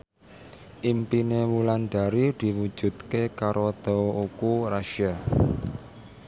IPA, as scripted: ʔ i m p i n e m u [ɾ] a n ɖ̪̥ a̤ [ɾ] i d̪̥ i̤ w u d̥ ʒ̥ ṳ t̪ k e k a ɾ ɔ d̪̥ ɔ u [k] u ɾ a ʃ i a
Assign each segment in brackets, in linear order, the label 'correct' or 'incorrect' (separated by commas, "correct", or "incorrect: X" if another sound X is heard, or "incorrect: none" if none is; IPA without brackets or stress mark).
incorrect: l, correct, correct